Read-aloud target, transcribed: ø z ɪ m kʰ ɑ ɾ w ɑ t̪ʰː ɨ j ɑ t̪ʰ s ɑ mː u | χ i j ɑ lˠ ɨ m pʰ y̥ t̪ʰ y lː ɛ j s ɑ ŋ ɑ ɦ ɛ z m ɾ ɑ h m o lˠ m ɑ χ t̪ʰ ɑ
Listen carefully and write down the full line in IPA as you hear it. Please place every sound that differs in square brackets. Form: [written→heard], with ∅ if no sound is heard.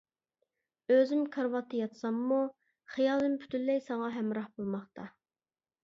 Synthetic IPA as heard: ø z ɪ m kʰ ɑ ɾ w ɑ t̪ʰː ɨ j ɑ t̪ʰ s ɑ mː u | χ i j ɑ lˠ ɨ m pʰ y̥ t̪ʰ y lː ɛ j s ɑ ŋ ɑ ɦ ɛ [z→∅] m ɾ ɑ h [m→b] o lˠ m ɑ χ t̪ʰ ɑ

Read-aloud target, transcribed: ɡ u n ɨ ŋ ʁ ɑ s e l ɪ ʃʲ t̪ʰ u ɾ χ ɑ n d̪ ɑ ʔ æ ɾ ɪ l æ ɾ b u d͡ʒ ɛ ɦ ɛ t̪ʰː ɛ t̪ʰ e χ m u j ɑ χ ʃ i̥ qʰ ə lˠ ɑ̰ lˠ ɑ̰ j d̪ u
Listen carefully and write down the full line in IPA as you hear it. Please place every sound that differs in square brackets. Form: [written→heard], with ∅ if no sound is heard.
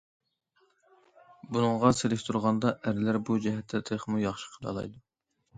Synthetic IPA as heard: [ɡ→b] u n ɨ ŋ ʁ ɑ s e l ɪ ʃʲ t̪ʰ u ɾ [χ→ʁ] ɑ n d̪ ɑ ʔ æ ɾ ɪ l æ ɾ b u d͡ʒ ɛ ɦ ɛ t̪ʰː ɛ t̪ʰ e χ m u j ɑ χ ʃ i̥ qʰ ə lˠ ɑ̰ lˠ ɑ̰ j d̪ u

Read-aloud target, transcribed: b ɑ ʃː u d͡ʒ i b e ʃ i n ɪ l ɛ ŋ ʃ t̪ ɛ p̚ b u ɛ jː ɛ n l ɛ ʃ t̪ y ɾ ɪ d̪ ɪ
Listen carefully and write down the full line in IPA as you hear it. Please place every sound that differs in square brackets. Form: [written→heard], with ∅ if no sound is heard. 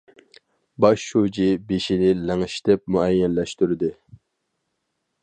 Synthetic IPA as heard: b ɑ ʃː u d͡ʒ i b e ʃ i n ɪ l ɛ ŋ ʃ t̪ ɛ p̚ [b→m] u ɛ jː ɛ n l ɛ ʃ t̪ y ɾ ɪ d̪ ɪ

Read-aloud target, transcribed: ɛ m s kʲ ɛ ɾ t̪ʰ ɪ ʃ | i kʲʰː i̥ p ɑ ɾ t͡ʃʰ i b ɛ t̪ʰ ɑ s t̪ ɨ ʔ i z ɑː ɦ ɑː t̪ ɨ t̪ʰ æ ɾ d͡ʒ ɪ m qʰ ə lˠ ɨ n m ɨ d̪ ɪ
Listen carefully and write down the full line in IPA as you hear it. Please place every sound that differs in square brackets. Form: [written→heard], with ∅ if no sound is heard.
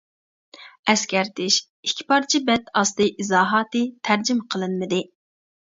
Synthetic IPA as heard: ɛ [m→∅] s kʲ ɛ ɾ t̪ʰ ɪ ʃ | i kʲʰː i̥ p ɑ ɾ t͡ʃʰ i b ɛ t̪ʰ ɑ s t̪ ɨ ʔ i z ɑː ɦ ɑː t̪ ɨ t̪ʰ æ ɾ d͡ʒ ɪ m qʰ ə lˠ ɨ n m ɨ d̪ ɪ

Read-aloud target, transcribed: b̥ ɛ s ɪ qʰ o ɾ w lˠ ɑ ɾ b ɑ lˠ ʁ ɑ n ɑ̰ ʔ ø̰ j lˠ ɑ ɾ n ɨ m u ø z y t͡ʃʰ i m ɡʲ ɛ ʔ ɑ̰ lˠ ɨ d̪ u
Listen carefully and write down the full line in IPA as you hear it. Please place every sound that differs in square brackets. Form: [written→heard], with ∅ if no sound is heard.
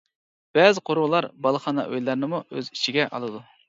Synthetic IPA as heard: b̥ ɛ [s→z] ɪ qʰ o ɾ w lˠ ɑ ɾ b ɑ lˠ [ʁ→χ] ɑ n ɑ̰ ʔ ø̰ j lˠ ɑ ɾ n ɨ m u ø z [y→i] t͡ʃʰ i [m→∅] ɡʲ ɛ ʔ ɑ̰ lˠ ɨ d̪ u

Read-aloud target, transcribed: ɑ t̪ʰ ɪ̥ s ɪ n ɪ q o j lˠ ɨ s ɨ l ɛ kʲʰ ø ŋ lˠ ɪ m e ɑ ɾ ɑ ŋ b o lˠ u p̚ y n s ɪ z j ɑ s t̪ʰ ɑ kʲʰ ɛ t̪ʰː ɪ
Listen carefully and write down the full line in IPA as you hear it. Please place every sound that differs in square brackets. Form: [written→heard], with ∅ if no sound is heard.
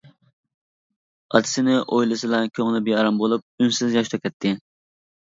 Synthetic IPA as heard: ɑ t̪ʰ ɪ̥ s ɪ n ɪ [q→ʔ] o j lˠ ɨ s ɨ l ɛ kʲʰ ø ŋ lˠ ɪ [m→b] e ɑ ɾ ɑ [ŋ→m] b o lˠ u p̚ y n s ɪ z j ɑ [s→ʃ] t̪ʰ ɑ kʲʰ ɛ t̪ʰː ɪ

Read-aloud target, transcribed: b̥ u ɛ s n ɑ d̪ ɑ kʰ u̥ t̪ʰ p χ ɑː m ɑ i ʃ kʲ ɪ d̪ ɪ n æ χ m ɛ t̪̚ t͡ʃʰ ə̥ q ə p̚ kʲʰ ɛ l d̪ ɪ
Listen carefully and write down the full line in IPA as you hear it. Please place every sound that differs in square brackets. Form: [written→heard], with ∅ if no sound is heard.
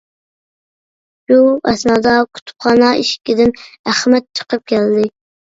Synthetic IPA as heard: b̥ u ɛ s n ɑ d̪ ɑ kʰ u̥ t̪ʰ p χ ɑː [m→n] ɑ i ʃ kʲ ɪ d̪ ɪ n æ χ m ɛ t̪̚ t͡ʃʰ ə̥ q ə p̚ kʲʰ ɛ l d̪ ɪ

